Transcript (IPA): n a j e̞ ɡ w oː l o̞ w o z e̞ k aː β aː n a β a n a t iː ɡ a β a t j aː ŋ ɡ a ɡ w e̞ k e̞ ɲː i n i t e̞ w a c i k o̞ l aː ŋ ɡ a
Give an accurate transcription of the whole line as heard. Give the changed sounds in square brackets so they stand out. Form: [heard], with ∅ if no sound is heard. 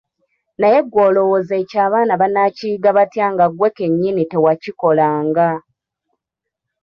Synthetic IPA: n a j e̞ ɡ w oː l o̞ w o z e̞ [c] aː β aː n a β a n a [c] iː ɡ a β a t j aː ŋ ɡ a ɡ w e̞ k e̞ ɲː i n i t e̞ w a c i k o̞ l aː ŋ ɡ a